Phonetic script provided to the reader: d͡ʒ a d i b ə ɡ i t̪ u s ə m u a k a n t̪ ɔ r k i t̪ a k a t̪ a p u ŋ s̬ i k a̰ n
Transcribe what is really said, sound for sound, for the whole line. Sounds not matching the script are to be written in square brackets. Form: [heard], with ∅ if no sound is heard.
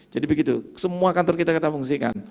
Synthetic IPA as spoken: d͡ʒ a d i b ə ɡ i t̪ u s ə m u a k a n t̪ ɔ r k i t̪ a k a t̪ a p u ŋ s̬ i k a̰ n